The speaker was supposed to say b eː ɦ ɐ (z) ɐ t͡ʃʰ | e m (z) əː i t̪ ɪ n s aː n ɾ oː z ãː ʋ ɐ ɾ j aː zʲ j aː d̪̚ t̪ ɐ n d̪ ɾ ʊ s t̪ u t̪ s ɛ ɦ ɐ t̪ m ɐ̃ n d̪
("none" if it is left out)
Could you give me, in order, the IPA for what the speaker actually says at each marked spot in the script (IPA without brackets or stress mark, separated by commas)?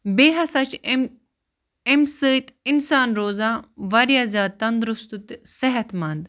s, s